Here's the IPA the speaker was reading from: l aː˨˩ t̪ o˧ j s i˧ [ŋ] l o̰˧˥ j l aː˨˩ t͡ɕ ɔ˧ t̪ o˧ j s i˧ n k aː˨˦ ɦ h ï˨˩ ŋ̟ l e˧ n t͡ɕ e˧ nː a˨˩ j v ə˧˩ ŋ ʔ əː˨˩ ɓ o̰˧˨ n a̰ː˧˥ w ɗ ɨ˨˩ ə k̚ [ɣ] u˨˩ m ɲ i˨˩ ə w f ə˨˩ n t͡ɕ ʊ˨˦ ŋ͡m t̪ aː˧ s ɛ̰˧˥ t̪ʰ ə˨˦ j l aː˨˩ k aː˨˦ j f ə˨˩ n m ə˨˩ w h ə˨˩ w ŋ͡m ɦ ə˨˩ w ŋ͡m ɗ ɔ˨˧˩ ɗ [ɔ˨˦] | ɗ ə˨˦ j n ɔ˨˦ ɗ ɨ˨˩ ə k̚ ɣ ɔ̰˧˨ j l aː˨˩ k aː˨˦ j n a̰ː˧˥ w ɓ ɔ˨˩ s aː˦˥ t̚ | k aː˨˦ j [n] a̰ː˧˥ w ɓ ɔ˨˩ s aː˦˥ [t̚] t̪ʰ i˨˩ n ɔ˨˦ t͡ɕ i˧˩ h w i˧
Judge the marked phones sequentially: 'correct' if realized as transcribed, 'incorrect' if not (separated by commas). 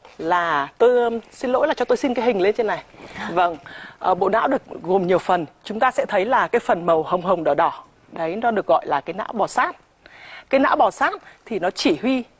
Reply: incorrect, correct, incorrect, correct, correct